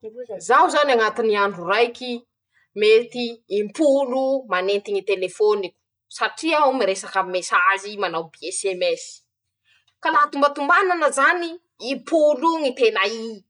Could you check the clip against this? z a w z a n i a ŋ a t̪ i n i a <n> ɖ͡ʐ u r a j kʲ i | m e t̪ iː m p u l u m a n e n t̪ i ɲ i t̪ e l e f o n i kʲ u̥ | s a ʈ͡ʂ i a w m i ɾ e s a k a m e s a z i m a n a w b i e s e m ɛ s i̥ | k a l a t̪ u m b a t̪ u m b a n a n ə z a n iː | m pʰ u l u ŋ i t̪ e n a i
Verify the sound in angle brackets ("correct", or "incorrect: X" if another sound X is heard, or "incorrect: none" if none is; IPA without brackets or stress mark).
incorrect: ɳ